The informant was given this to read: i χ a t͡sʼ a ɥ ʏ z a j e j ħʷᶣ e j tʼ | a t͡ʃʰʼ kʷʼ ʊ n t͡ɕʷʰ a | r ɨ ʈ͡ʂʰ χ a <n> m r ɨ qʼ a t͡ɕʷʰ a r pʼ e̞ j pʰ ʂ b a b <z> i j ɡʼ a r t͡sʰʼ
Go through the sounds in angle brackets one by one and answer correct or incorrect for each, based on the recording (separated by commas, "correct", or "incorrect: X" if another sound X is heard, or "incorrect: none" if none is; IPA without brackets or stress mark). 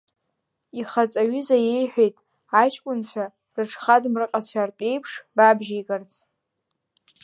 incorrect: d, incorrect: ʒ